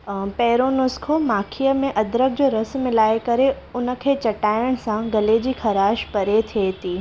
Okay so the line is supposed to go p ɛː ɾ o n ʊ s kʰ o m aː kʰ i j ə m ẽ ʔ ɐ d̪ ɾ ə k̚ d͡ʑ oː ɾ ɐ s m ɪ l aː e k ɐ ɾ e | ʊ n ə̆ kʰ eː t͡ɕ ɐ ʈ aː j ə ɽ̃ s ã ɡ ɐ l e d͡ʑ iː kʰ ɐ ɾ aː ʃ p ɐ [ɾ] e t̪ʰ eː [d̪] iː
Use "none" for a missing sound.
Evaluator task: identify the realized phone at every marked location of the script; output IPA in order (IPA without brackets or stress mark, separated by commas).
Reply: ɾ, t̪